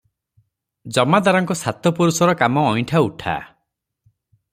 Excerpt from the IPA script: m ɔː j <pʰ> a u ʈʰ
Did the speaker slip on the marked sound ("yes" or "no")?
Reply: yes